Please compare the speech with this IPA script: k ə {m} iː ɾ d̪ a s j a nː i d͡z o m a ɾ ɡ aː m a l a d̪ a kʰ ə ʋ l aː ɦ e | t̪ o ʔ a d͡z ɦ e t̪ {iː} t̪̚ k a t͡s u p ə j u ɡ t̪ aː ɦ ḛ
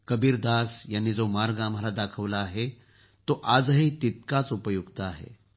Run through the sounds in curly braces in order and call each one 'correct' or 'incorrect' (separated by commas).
incorrect, incorrect